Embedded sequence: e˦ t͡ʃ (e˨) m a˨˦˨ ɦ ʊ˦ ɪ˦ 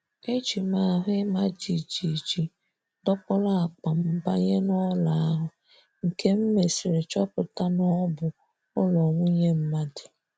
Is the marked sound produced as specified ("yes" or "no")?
no